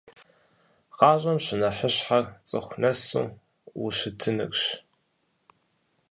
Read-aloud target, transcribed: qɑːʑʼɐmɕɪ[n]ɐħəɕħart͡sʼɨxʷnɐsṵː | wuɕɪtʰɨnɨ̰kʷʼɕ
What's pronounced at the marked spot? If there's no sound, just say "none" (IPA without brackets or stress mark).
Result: n